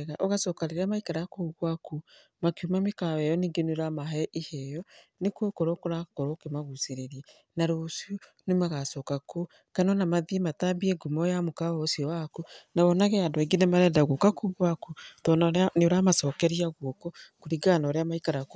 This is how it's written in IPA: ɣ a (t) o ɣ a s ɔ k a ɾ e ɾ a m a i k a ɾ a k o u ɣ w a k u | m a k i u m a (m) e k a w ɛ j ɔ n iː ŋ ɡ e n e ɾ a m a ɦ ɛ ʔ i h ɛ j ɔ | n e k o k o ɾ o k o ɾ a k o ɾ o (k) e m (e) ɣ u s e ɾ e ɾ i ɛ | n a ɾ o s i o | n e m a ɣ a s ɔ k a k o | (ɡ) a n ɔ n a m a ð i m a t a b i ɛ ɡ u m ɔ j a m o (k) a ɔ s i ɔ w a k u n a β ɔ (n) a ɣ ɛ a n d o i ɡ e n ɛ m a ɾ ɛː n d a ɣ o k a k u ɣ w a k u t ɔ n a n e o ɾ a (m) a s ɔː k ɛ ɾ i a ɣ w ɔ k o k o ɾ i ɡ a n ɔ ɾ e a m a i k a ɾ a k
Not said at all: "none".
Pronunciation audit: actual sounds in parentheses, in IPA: ʔ, m, k, a, k, k, n, m

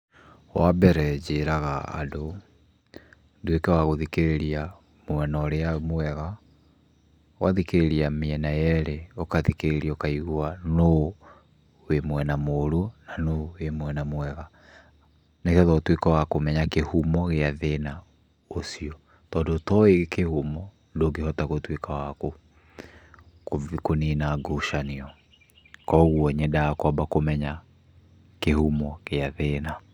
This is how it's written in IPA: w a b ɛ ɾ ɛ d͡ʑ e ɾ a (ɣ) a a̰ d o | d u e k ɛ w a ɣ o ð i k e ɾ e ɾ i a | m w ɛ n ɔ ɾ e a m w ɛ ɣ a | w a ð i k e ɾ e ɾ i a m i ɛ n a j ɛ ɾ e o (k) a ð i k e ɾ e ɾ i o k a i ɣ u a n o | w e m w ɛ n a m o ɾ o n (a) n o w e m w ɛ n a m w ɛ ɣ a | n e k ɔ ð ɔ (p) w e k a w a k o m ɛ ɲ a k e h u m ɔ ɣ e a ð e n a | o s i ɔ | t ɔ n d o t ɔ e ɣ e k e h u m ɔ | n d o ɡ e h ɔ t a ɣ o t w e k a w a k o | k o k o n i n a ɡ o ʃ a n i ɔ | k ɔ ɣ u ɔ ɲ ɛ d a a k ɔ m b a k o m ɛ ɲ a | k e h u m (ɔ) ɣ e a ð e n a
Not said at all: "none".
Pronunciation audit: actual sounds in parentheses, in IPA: ɣ, k, a, t, ɔ

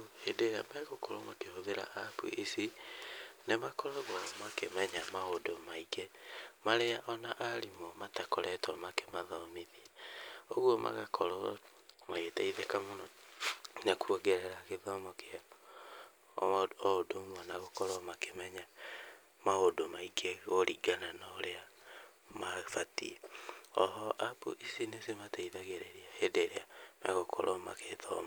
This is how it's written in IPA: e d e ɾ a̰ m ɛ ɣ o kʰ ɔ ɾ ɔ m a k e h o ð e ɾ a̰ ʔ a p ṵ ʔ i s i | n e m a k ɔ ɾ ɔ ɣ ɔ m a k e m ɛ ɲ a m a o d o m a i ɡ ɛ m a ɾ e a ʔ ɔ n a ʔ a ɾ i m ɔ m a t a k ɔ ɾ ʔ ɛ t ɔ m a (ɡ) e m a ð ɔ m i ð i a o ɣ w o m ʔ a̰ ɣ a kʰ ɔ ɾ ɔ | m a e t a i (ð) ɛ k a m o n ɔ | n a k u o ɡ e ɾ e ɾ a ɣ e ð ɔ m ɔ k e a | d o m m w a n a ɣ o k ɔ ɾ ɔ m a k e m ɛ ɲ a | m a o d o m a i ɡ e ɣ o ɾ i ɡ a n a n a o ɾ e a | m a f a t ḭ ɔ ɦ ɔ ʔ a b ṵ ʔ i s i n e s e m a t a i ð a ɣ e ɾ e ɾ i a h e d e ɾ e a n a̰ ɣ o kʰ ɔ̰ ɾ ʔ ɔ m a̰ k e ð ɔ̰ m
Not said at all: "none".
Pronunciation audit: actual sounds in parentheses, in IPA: k, ð

